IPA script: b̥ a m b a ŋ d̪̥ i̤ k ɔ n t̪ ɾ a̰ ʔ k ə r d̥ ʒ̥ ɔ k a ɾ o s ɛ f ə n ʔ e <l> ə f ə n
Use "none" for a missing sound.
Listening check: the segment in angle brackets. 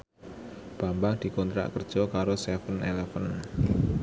l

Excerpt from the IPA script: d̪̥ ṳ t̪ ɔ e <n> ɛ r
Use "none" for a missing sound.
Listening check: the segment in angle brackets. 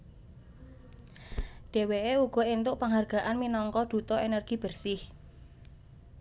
n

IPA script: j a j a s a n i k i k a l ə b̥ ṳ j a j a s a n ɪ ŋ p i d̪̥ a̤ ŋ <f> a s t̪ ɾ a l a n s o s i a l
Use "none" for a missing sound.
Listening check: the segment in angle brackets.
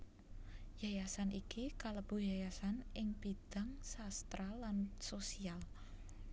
s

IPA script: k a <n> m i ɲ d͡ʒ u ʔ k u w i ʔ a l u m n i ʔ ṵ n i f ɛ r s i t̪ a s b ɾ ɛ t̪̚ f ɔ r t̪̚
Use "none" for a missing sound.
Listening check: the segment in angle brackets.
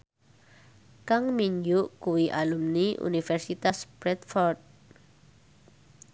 ŋ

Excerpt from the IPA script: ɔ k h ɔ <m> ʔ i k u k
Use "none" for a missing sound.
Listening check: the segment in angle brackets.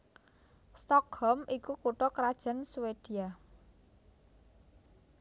m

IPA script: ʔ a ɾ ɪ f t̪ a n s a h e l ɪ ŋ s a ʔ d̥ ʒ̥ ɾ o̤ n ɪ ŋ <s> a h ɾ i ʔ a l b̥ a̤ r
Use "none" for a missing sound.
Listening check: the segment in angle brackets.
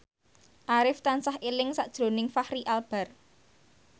f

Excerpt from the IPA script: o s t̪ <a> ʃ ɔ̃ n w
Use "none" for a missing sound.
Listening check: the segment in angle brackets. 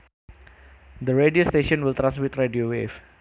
e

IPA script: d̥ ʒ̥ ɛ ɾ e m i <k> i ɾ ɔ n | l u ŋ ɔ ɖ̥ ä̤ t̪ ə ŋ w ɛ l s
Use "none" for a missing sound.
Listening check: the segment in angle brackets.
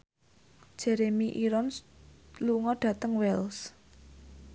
ʔ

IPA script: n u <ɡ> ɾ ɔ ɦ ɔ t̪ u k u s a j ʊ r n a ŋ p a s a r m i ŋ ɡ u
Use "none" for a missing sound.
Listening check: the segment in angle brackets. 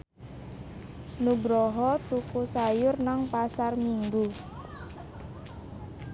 ɡ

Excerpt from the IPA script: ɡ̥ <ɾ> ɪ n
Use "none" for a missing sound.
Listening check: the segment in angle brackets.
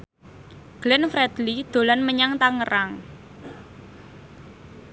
l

